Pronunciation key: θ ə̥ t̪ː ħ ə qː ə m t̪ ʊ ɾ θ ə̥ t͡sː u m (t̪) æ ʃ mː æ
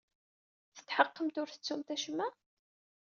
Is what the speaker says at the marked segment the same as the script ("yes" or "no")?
yes